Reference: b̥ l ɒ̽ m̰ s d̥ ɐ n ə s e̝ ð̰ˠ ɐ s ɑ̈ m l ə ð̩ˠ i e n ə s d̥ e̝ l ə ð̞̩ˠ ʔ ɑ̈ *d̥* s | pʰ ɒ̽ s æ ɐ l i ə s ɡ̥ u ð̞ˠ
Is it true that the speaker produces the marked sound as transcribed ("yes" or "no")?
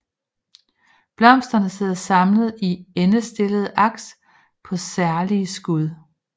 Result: no